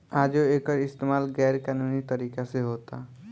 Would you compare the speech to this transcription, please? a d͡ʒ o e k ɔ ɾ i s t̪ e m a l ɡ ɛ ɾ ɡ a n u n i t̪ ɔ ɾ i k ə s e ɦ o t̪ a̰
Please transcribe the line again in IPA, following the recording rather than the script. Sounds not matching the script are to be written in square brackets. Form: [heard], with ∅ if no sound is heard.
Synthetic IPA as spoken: a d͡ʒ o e k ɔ ɾ i s t̪ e m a l ɡ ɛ ɾ [k] a n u n i t̪ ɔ ɾ i k [a] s e ɦ o t̪ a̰